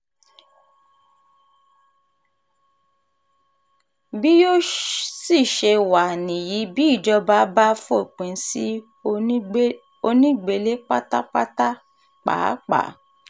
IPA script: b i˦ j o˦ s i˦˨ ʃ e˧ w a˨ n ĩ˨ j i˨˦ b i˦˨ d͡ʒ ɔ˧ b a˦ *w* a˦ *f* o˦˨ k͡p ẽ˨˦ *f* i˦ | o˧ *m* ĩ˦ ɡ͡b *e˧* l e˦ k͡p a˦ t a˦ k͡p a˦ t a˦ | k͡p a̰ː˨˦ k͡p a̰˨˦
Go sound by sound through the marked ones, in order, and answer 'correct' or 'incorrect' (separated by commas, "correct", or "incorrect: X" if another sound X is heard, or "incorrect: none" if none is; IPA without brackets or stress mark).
incorrect: b, correct, incorrect: s, incorrect: n, correct